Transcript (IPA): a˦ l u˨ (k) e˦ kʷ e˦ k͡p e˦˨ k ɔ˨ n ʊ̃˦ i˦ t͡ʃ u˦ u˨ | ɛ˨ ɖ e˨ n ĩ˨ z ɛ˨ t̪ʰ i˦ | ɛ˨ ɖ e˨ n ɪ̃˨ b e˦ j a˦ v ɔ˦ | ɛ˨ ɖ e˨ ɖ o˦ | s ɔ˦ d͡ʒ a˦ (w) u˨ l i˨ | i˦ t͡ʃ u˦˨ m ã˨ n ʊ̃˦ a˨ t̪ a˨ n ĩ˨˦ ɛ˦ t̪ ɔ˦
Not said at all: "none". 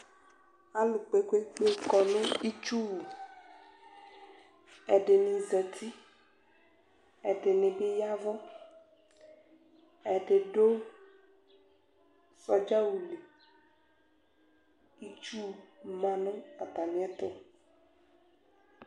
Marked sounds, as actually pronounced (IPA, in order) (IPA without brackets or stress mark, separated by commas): k͡p, w